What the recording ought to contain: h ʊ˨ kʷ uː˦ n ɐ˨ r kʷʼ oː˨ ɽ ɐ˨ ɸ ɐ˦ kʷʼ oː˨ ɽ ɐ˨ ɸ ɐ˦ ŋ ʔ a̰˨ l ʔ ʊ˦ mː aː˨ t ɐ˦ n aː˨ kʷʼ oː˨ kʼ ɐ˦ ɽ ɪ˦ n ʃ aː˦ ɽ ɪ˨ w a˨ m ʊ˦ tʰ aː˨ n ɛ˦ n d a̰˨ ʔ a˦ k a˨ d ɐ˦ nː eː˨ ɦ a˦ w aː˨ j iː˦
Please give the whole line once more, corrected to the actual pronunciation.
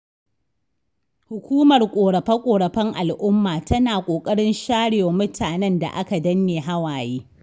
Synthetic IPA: h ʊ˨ kʷ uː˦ m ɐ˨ r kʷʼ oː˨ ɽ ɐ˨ ɸ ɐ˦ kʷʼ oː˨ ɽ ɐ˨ ɸ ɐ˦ ŋ ʔ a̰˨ l ʔ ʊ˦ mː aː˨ t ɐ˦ n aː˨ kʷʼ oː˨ kʼ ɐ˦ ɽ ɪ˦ n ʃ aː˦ ɽ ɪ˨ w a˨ m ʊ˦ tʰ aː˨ n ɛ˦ n d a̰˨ ʔ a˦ k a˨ d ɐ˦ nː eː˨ ɦ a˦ w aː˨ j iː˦